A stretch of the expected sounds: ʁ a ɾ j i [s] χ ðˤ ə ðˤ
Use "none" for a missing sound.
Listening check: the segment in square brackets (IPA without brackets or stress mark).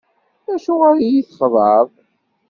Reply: θ